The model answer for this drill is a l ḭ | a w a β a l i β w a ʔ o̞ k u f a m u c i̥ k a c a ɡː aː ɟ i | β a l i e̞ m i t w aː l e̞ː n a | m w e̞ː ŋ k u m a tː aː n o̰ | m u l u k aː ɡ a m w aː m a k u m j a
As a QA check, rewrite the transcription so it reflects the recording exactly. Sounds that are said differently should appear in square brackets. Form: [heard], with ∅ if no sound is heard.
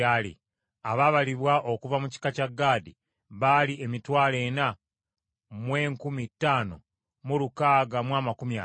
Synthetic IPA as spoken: a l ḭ | a [β] a β a l i β w a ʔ o̞ k u [v] a m u c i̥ k a c a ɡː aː [d] i | β a l i e̞ m i t w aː l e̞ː n a | m w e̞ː ŋ k u m [i] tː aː n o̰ | m u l u k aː ɡ a m w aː m a k u m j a